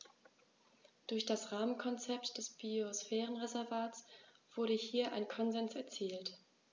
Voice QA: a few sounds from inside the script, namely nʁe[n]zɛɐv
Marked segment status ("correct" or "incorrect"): incorrect